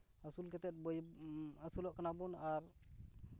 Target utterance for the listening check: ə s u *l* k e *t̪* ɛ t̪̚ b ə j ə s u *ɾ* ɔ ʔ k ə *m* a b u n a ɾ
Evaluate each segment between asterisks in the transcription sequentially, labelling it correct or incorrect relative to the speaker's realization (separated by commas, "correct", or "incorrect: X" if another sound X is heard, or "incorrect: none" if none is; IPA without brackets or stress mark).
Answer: correct, correct, incorrect: l, incorrect: n